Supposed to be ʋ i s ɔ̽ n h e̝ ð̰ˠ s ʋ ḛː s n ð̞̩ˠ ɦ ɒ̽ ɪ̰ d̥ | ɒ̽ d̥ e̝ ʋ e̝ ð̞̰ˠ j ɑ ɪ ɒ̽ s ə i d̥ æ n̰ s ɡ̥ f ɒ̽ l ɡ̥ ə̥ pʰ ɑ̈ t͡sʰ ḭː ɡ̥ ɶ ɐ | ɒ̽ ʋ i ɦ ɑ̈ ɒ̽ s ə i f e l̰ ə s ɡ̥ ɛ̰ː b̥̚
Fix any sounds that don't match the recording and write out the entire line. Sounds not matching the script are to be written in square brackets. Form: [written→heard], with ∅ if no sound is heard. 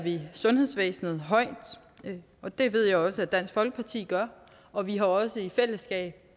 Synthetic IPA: ʋ i s ɔ̽ n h e̝ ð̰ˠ s ʋ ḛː s n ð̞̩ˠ ɦ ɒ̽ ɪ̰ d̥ | ɒ̽ d̥ e̝ ʋ e̝ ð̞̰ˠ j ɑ ɪ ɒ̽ s ə [i→æ] d̥ æ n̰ s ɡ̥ f ɒ̽ l ɡ̥ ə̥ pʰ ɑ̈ t͡sʰ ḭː ɡ̥ ɶ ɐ | ɒ̽ ʋ i ɦ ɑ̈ ɒ̽ s ə i f e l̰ ə s ɡ̥ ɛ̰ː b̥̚